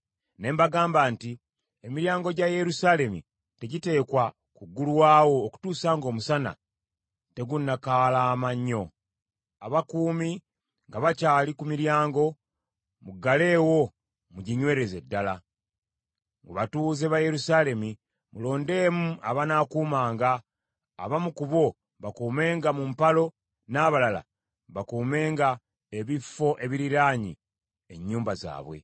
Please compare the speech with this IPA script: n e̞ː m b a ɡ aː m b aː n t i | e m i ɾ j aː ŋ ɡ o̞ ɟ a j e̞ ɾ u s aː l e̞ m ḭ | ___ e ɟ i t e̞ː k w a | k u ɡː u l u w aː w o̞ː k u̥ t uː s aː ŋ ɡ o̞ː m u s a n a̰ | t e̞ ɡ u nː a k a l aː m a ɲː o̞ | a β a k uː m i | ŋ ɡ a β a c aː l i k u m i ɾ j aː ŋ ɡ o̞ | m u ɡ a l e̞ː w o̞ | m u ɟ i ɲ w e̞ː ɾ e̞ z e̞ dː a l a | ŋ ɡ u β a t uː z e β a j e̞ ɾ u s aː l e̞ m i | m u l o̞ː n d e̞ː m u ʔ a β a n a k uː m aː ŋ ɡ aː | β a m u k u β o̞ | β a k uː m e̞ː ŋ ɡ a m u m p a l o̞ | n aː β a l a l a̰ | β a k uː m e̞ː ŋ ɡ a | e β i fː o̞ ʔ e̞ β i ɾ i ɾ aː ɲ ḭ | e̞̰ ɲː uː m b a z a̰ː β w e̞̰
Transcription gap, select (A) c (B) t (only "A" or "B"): B